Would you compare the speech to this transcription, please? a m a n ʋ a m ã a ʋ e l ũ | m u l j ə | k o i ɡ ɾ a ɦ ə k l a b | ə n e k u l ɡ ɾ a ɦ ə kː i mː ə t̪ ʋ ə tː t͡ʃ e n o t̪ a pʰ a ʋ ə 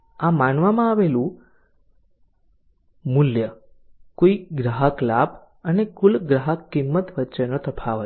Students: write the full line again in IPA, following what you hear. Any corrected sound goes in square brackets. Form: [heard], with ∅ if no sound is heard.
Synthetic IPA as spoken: a m a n ʋ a m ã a ʋ e l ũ | m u l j ə | k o i ɡ ɾ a ɦ ə k l a b | ə n e k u l ɡ ɾ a ɦ ə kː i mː ə t̪ ʋ ə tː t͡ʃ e n o t̪ [ə] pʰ a ʋ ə